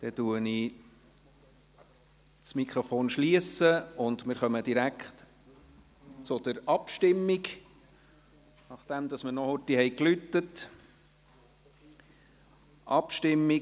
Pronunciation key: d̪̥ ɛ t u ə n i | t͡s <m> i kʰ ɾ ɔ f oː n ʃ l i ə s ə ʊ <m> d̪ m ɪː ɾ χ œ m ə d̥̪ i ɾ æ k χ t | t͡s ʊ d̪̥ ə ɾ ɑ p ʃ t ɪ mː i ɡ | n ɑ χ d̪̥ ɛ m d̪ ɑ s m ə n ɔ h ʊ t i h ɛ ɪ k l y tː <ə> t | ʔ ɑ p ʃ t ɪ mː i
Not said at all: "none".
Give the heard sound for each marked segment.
m, n, ə

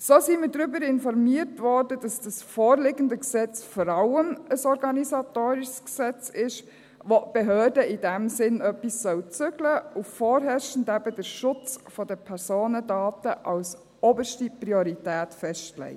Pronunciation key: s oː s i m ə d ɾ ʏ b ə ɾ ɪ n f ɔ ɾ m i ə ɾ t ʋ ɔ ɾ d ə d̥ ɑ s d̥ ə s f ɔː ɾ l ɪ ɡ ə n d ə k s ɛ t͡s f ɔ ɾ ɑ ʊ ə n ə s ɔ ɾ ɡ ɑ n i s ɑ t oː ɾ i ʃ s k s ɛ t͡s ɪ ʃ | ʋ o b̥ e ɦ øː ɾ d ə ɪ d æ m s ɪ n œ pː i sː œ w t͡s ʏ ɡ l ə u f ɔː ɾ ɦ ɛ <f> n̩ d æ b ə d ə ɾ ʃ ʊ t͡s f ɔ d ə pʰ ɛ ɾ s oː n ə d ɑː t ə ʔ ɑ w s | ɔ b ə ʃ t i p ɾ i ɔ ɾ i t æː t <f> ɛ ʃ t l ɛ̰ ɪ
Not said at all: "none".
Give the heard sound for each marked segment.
ʃ, f

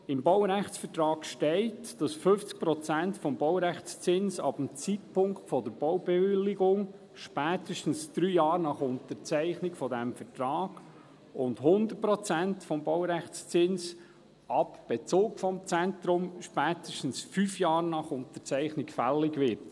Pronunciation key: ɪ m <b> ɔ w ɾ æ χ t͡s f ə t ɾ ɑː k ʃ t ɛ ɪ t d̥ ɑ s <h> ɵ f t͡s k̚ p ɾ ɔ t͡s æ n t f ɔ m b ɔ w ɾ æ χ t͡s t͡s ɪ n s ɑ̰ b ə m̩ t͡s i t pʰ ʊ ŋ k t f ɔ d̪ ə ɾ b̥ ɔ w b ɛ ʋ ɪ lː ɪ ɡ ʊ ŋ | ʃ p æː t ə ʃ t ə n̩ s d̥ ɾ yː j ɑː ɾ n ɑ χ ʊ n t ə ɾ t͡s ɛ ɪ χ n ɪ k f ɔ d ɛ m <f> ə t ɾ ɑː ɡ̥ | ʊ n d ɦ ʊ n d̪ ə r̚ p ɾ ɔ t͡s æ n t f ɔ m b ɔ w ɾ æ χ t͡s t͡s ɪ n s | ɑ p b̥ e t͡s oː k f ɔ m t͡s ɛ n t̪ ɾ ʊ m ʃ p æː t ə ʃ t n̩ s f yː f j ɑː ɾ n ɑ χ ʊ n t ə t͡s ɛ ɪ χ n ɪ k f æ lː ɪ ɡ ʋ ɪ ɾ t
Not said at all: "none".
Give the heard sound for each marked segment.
b, f, f

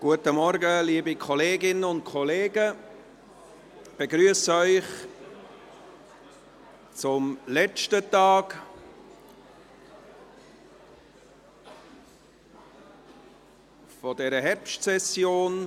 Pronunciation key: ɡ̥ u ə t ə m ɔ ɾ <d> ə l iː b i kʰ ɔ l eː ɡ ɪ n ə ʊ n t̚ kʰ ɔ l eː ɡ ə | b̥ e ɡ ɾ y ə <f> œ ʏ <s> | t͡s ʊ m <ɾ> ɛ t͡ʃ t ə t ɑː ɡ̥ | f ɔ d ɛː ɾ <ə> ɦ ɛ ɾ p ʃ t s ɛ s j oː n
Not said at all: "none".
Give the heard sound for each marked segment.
ɡ, s, χ, l, ə

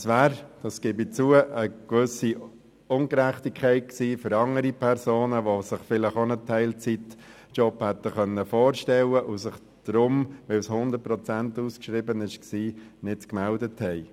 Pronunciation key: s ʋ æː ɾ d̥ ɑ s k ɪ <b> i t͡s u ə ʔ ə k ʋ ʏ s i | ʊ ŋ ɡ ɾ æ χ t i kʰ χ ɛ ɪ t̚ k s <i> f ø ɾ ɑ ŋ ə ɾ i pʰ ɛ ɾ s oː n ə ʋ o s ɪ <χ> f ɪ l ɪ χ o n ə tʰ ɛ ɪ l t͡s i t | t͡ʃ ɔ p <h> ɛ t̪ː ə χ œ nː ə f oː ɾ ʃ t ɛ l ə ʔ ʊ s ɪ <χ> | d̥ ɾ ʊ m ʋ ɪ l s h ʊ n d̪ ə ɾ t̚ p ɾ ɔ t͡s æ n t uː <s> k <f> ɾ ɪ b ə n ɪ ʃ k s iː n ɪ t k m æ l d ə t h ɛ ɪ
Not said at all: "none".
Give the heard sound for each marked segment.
b, iː, χ, h, χ, s, ʃ

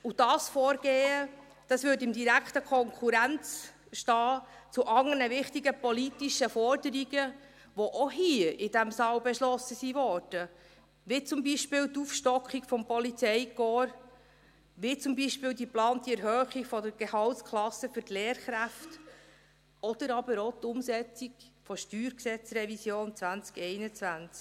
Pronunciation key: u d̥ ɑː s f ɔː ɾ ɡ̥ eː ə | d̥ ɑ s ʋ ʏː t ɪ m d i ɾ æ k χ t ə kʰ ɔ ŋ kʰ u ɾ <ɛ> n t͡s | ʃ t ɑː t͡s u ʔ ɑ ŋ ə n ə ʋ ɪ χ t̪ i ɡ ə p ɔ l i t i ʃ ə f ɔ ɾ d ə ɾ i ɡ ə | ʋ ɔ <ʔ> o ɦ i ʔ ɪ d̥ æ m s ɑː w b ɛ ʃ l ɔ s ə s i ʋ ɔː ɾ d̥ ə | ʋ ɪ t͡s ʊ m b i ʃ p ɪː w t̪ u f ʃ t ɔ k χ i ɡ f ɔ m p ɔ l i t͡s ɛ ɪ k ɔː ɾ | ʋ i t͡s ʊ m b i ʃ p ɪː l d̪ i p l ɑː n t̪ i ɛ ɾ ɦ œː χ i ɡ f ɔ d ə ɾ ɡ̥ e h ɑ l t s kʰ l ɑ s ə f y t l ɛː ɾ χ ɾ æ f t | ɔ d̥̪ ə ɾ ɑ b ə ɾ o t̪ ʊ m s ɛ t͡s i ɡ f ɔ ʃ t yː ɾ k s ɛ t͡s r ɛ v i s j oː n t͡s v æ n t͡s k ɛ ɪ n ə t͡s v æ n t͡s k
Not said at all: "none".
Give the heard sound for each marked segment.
æ, ʔ

